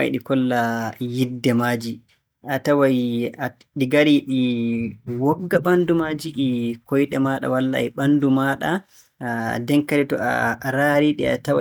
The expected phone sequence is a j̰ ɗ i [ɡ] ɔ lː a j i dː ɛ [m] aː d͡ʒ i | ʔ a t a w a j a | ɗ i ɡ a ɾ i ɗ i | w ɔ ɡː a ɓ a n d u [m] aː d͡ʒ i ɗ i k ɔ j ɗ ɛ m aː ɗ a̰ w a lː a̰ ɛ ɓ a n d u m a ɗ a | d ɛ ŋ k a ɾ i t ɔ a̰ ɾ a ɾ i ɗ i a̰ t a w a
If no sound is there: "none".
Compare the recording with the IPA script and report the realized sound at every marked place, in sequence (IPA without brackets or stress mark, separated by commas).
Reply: k, m, m